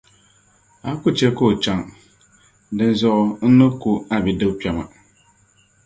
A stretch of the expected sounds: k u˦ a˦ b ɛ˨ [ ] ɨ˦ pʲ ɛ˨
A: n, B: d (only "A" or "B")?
B